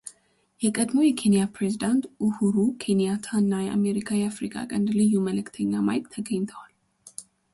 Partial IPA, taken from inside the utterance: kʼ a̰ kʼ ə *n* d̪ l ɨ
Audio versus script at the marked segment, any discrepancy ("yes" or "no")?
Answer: no